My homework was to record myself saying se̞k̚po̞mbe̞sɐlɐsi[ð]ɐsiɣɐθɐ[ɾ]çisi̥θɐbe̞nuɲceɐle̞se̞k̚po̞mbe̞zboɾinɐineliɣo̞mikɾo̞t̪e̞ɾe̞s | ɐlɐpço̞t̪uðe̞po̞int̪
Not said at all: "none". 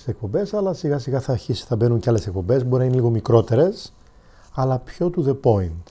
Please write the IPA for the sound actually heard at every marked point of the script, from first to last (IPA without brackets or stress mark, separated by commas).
ɣ, ɾ